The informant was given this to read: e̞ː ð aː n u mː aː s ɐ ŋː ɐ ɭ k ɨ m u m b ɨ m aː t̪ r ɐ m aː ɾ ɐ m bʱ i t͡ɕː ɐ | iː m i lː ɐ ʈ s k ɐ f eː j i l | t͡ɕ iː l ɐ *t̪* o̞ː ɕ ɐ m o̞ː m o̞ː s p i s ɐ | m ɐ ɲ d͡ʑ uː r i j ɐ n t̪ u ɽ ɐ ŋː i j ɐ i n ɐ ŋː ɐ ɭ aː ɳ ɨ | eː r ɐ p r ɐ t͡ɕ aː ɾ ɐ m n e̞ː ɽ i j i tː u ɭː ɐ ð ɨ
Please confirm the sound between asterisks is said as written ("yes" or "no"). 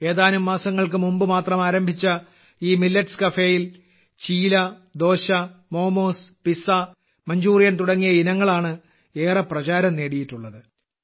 no